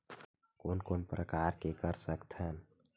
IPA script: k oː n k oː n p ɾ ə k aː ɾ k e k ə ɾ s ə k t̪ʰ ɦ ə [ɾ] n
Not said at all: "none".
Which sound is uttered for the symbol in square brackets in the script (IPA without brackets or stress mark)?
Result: none